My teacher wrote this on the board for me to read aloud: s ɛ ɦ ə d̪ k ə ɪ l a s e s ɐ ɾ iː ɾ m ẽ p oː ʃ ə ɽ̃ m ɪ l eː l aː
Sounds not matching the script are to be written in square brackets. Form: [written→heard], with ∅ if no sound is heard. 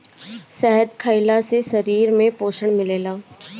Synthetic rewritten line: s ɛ ɦ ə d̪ [k→kʰ] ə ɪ l a s e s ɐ ɾ iː ɾ m ẽ p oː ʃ ə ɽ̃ m ɪ l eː l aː